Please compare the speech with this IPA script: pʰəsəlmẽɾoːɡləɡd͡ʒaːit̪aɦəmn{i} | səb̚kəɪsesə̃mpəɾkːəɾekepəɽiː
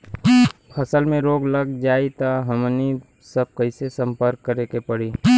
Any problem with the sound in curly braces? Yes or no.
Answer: no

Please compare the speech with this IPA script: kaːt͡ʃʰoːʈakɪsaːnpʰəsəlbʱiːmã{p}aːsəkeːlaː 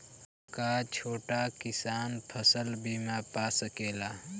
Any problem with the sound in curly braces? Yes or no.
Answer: no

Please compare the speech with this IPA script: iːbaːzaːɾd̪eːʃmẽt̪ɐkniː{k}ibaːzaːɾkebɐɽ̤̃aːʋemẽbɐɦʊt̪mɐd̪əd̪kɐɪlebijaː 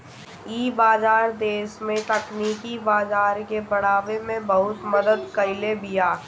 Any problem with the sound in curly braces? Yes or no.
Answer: no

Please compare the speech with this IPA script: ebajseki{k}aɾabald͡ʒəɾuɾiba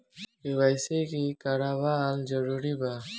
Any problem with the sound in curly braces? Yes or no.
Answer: no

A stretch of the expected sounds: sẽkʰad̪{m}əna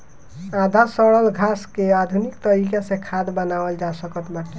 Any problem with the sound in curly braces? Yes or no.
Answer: yes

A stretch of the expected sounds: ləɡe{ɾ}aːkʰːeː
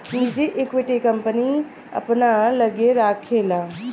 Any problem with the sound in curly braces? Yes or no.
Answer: no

